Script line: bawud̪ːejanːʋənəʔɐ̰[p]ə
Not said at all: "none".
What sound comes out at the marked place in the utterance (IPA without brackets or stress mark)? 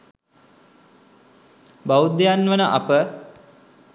p